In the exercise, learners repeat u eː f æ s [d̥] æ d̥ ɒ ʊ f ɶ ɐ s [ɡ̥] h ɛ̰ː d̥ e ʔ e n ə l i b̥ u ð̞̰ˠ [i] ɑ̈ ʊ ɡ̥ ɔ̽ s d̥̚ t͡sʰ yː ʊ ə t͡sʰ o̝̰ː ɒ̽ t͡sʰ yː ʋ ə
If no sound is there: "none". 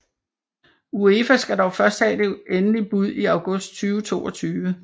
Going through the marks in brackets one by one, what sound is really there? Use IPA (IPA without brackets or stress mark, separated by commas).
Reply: ɡ̥, d̥, i